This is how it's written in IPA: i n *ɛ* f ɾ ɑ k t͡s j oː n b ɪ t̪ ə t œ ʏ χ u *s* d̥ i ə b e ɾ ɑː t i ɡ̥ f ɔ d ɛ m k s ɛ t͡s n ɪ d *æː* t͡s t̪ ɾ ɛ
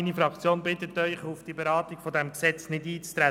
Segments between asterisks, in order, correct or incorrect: incorrect, incorrect, incorrect

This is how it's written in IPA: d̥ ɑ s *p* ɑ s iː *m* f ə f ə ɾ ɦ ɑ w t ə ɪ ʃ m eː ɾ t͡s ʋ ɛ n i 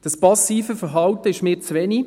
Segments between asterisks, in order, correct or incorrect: correct, incorrect

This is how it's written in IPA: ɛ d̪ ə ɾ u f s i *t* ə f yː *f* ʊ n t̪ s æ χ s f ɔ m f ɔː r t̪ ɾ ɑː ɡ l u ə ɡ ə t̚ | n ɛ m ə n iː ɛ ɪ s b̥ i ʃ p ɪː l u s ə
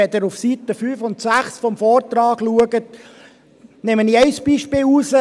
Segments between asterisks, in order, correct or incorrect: correct, correct

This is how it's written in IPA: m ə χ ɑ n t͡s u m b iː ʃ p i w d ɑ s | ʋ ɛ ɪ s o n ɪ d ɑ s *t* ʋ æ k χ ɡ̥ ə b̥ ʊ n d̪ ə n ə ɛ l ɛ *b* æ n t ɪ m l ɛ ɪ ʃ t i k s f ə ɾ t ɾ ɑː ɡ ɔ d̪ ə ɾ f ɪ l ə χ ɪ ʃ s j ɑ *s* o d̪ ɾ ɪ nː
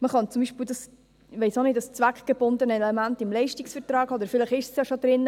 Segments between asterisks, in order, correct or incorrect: incorrect, incorrect, incorrect

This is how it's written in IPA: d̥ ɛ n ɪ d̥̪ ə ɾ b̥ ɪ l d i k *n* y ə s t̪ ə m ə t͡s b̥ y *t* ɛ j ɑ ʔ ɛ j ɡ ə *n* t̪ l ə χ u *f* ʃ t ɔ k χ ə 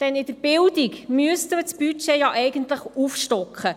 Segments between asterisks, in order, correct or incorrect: incorrect, incorrect, correct, correct

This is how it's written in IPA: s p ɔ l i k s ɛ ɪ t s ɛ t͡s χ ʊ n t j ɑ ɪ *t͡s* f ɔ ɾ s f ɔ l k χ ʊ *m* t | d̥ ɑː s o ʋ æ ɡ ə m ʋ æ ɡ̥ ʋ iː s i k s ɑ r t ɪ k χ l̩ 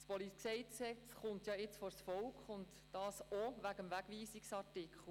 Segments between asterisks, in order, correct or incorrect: correct, incorrect

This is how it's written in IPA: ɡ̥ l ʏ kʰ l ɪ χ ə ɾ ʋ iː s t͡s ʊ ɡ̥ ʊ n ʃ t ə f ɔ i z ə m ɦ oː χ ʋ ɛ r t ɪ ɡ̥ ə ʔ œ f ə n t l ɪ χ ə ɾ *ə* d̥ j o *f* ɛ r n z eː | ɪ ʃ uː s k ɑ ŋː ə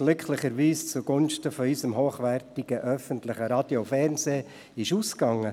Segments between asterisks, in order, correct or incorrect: incorrect, correct

